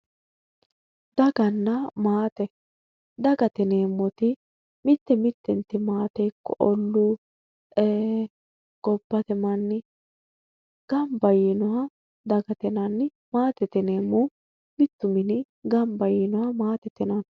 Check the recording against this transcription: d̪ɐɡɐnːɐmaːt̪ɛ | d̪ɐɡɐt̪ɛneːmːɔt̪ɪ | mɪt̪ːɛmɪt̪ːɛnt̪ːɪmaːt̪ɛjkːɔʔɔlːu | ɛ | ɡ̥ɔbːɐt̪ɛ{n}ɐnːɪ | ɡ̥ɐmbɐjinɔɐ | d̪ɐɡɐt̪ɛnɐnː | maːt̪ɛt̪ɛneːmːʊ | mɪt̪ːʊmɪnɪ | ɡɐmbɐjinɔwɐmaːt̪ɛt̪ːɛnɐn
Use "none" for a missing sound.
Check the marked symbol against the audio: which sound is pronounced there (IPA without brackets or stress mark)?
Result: m